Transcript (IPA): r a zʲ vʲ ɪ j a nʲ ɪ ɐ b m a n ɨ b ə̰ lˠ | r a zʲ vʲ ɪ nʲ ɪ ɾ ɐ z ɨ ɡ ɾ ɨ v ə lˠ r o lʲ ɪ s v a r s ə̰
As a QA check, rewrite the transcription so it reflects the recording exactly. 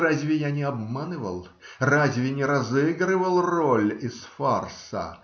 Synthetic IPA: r a zʲ vʲ ɪ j a nʲ ɪ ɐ b m a n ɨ v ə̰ lˠ | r a zʲ vʲ ɪ nʲ ɪ ɾ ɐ z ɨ ɡ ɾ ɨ v ə lˠ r o lʲ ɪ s f a r s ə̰

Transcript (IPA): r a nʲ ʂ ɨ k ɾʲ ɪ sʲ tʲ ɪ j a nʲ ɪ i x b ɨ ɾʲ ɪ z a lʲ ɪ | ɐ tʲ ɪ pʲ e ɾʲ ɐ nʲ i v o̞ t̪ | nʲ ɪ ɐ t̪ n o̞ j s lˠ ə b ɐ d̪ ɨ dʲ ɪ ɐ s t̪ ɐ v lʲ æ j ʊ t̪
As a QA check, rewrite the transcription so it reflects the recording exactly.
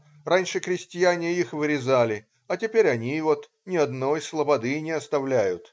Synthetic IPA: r a nʲ ʂ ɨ k ɾʲ ɪ sʲ tʲ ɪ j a nʲ ɪ i x v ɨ ɾʲ ɪ z a lʲ ɪ | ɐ tʲ ɪ pʲ e ɾʲ ɐ nʲ i v o̞ t̪ | nʲ ɪ ɐ d̪ n o̞ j s lˠ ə b ɐ d̪ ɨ nʲ ɪ ɐ s t̪ ɐ v lʲ æ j ʊ t̪

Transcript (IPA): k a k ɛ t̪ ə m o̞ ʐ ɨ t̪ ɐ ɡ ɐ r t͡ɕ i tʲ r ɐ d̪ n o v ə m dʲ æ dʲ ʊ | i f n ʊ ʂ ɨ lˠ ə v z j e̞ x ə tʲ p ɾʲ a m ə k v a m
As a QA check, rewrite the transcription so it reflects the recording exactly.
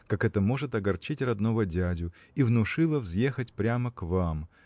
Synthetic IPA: k a k ɛ t̪ ə m o̞ ʐ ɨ t̪ ɐ ɡ ɐ r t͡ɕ i tʲ r ɐ d̪ n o v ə dʲ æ dʲ ʊ | i v n ʊ ʂ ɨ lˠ ə v z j e̞ x ə tʲ p ɾʲ a m ə k v a m

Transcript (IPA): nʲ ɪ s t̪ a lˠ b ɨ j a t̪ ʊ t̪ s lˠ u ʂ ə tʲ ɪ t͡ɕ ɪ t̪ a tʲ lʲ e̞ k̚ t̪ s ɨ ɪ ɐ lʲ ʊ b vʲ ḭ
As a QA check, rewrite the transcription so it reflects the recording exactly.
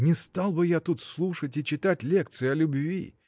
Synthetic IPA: nʲ ɪ s t̪ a lˠ b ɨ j a t̪ u t̪ s lˠ u ʂ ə tʲ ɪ t͡ɕ ɪ t̪ a tʲ lʲ e̞ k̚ t̪ s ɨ ɪ ɐ lʲ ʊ b vʲ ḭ

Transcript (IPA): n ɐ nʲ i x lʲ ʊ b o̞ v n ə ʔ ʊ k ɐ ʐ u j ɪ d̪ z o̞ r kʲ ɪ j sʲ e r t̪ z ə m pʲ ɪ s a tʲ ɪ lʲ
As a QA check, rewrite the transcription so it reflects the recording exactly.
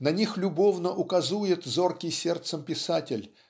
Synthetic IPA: n ɐ nʲ i x lʲ ʊ b o̞ v n ə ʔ ʊ k ɐ z u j ɪ t̪ z o̞ r kʲ ɪ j sʲ e r t̪ s ə m pʲ ɪ s a tʲ ɪ lʲ

